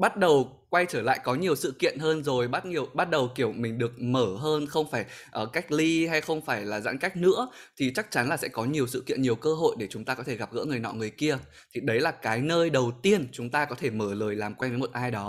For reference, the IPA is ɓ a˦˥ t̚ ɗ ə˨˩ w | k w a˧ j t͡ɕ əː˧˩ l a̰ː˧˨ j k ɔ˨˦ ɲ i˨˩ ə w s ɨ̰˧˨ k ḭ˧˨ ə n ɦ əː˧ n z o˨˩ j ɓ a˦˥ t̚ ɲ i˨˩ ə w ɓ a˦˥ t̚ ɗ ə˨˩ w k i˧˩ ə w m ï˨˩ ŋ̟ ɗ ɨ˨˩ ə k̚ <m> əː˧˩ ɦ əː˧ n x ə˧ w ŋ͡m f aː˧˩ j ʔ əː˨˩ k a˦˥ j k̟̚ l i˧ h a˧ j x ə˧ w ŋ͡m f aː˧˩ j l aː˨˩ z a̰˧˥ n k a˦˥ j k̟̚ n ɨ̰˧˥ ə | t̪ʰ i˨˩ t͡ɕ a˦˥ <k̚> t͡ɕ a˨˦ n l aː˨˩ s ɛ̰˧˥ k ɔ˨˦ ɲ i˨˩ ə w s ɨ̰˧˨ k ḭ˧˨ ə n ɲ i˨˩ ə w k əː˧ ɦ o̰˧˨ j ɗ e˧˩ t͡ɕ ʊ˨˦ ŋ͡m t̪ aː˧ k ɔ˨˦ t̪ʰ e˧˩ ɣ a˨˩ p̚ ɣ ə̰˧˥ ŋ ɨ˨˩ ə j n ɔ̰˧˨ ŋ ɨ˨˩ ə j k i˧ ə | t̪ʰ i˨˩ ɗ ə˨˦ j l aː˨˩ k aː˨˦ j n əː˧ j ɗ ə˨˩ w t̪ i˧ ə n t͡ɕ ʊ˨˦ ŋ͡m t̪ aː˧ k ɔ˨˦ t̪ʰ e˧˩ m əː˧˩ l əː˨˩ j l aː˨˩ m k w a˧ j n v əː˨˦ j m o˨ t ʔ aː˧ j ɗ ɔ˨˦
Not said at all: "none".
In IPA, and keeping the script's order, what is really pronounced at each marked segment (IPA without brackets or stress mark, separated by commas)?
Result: m, k̚